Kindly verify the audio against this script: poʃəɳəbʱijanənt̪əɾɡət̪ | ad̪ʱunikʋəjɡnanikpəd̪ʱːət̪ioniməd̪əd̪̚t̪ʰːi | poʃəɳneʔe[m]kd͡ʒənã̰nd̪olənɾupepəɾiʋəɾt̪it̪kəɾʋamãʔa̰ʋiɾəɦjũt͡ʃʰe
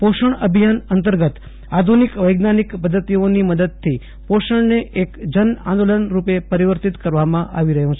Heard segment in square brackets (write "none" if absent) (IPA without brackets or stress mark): none